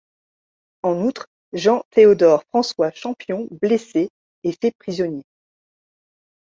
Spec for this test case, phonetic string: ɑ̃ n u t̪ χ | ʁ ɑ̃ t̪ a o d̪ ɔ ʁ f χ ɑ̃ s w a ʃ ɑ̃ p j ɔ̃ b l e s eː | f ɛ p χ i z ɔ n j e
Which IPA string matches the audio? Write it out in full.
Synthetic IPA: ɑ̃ n u t̪ χ | ʒ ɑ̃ t̪ e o d̪ ɔ ʁ f χ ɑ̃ s w a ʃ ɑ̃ p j ɔ̃ b l e s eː | f ɛ p χ i z ɔ n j e